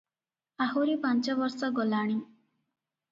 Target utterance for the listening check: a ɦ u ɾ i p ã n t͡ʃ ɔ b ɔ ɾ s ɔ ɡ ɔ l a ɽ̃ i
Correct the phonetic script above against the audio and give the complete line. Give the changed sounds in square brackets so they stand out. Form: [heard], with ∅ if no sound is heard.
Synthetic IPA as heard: a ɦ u ɾ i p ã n t͡ʃ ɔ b ɔ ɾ s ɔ ɡ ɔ l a ɽ̃ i